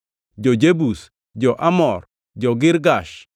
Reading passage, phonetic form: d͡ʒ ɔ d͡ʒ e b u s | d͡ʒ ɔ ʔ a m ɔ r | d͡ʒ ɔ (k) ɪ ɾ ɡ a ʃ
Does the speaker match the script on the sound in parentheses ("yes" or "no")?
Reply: no